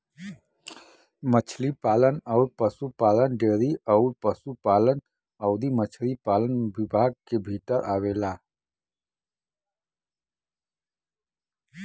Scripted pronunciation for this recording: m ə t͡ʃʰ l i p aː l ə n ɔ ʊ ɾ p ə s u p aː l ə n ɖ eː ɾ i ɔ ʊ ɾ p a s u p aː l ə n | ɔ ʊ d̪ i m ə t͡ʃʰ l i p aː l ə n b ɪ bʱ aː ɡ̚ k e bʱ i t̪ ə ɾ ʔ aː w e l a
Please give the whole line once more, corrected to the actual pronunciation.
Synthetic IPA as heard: m ə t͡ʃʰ l i p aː l ə n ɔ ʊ ɾ p ə s u p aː l ə n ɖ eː ɾ i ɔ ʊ ɾ p ə s u p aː l ə n | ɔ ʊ d̪ i m ə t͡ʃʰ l i p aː l ə n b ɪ bʱ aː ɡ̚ k e bʱ i t̪ ə ɾ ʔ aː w e l a